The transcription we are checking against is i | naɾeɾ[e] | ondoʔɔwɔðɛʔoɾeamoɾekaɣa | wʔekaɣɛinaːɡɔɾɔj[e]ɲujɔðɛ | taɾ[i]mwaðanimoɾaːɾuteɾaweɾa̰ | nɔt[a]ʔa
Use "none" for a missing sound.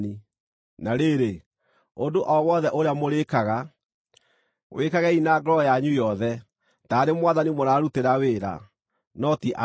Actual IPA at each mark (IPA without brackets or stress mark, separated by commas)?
e, a, e, i